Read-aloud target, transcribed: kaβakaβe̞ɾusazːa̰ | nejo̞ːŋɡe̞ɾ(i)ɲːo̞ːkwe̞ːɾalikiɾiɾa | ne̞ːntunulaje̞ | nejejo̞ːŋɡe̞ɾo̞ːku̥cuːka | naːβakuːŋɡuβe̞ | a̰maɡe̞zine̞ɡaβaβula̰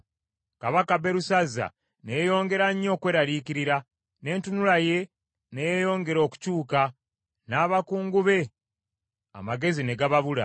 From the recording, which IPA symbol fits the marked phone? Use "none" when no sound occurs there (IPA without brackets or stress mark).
a